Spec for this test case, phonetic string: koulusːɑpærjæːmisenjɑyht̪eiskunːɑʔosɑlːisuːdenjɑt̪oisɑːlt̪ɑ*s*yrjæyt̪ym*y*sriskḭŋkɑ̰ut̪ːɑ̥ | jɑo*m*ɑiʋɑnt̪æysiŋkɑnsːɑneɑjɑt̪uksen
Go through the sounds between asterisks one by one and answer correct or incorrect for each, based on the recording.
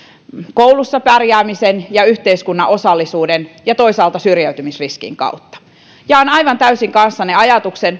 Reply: correct, incorrect, incorrect

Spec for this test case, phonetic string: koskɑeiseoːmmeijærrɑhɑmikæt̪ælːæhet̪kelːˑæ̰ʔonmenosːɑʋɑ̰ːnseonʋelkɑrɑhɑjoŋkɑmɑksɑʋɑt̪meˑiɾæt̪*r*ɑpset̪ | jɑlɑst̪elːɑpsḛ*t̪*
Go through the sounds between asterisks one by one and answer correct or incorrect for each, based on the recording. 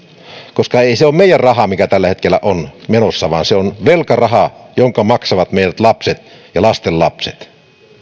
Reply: incorrect, correct

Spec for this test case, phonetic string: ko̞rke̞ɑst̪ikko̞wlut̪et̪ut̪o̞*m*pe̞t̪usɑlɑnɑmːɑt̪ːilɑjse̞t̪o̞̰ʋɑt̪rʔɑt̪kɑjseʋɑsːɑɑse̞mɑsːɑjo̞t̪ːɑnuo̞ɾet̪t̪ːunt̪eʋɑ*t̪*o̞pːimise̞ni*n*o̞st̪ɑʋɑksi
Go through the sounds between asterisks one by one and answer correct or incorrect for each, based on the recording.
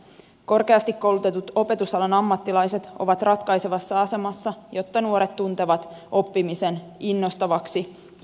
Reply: incorrect, correct, incorrect

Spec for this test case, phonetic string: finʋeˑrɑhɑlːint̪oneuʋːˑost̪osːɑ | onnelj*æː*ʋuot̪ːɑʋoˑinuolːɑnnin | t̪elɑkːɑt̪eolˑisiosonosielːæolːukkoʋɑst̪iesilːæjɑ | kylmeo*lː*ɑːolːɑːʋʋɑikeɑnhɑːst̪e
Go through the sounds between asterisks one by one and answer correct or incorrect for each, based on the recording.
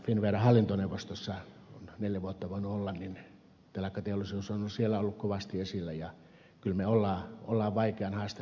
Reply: incorrect, correct

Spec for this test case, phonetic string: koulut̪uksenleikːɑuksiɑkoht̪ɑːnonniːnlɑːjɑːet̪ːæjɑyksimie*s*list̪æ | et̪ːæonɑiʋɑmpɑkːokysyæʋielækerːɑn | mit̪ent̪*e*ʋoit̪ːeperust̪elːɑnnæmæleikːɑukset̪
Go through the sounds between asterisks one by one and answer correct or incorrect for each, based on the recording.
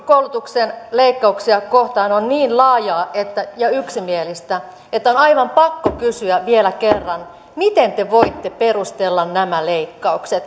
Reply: incorrect, correct

